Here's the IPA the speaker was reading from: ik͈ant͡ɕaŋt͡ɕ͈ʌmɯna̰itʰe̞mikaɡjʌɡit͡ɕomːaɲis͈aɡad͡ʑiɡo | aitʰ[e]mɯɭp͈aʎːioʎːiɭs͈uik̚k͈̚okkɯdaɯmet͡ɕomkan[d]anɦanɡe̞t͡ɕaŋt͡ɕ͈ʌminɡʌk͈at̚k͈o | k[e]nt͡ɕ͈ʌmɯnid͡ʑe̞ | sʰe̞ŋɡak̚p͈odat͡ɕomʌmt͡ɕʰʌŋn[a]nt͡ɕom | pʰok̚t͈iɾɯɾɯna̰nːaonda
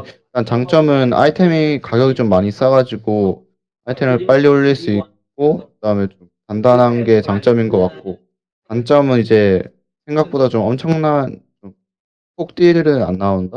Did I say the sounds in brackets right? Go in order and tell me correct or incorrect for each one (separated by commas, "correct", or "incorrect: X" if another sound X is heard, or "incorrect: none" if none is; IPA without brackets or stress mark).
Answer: correct, correct, incorrect: a, correct